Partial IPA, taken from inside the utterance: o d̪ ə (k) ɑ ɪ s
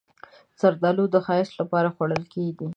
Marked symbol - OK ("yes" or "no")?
no